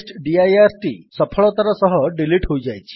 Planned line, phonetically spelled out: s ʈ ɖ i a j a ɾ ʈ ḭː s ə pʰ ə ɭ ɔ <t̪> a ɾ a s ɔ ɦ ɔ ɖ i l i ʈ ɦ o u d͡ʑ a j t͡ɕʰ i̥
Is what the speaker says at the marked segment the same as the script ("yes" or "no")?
yes